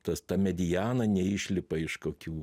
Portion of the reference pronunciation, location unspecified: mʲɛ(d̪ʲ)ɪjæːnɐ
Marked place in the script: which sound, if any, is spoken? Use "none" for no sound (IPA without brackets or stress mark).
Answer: d̪ʲ